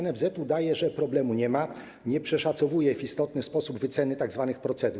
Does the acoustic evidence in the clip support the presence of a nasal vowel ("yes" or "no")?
no